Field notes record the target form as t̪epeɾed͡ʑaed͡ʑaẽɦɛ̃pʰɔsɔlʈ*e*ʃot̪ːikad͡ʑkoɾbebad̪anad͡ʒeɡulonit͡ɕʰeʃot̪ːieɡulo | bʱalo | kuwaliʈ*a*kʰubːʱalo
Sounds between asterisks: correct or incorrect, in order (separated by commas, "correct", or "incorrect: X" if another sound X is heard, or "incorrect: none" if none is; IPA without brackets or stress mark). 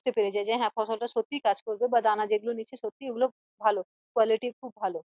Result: incorrect: a, incorrect: i